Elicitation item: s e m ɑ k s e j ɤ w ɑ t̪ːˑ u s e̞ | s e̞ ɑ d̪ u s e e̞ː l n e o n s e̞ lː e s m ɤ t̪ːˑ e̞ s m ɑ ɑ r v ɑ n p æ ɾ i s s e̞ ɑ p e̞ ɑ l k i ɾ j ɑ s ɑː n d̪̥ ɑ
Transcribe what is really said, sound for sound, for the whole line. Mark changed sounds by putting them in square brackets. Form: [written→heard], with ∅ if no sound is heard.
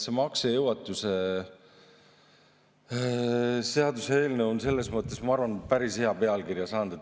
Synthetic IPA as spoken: s e m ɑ k s e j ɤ w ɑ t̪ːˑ u s e̞ | s e̞ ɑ d̪ u s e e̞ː l n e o n s e̞ lː e s m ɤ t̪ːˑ e̞ s m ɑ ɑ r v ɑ n p æ ɾ i s [s→h] e̞ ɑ p e̞ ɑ l k i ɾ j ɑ s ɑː n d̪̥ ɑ